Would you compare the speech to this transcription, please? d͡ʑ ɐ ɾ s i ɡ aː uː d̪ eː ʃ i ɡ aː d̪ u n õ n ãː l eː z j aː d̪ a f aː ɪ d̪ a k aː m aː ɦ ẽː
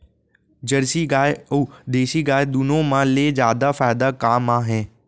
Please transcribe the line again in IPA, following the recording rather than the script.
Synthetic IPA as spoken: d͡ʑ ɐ ɾ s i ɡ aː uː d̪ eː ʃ i ɡ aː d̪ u n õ m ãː l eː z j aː d̪ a f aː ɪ d̪ a k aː m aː ɦ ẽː